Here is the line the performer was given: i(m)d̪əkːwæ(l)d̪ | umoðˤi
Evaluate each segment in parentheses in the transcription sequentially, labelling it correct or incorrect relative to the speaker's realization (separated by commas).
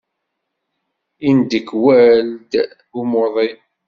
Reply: incorrect, correct